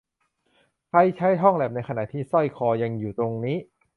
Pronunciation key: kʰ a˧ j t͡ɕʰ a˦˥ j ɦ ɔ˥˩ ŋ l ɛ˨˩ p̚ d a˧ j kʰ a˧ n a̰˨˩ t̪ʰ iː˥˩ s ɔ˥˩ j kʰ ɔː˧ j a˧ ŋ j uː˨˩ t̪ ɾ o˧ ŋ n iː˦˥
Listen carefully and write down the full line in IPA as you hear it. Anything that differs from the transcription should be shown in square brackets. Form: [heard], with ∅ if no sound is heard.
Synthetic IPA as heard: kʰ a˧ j t͡ɕʰ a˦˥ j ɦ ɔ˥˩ ŋ l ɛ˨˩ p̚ [n] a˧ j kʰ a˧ n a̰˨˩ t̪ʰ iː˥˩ s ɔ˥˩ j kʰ ɔː˧ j a˧ ŋ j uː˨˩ t̪ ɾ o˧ ŋ n iː˦˥